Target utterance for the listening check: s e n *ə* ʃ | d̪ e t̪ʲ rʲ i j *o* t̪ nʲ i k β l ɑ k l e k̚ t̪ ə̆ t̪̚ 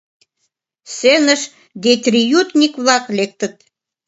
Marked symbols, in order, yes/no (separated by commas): yes, no